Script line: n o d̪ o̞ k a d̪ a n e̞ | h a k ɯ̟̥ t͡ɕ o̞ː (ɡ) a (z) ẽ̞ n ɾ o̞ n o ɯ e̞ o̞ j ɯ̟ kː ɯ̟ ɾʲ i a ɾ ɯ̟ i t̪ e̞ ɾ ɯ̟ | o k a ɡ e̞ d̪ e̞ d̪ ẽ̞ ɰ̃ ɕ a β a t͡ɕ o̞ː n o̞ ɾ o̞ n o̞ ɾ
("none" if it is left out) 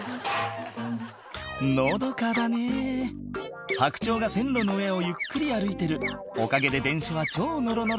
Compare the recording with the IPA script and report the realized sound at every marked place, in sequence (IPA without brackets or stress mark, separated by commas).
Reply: ɡ, s